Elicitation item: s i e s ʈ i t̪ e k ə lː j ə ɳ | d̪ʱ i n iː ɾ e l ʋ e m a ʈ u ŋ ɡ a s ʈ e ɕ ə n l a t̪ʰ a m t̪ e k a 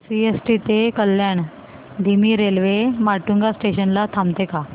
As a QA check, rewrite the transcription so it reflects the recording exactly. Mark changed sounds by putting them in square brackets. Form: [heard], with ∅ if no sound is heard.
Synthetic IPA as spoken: s i e s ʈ i t̪ e k ə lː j [a] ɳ | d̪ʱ i [m] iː ɾ e l ʋ e m a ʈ u ŋ ɡ a s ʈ e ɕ ə n l a t̪ʰ a m t̪ e k a